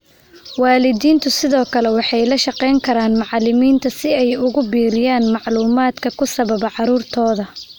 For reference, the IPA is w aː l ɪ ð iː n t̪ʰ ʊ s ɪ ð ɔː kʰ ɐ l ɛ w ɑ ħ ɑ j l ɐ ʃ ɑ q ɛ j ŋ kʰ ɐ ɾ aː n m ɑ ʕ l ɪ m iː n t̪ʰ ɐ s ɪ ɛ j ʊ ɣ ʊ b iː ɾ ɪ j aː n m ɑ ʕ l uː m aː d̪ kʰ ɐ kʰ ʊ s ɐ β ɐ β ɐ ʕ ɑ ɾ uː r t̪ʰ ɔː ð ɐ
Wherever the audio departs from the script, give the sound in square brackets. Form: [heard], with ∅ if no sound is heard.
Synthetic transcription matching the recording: w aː l ɪ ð iː n t̪ʰ ʊ s ɪ ð ɔː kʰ ɐ l ɛ w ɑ ħ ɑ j l ɐ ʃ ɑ q ɛ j ŋ kʰ ɐ ɾ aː n m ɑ ʕ l ɪ m iː n t̪ʰ ɐ s ɪ ɛ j ʊ ɣ ʊ b iː ɾ ɪ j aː n m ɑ ʕ l uː m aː d̪ kʰ ɐ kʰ ʊ s ɐ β ɐ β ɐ ʕ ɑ ɾ uː r t̪ʰ ɔː ð ɐ